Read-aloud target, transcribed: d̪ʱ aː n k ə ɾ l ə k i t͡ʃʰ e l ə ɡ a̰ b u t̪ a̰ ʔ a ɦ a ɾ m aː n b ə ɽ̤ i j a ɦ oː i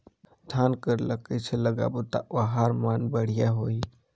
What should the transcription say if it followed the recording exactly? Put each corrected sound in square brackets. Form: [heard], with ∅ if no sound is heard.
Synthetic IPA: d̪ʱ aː n k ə ɾ l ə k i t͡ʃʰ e l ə ɡ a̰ b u t̪ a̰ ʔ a ɦ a ɾ m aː n b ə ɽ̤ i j a ɦ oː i